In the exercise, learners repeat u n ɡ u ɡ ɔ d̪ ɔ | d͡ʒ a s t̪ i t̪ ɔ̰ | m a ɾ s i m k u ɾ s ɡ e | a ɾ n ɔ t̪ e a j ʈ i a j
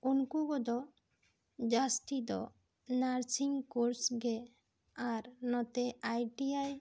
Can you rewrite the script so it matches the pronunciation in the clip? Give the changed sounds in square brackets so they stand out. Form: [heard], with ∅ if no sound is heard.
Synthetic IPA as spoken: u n [k] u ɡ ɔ d̪ ɔ | d͡ʒ a s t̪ i [d̪] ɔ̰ | [n] a ɾ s i [ŋ] k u ɾ s ɡ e | a ɾ n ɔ t̪ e a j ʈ i a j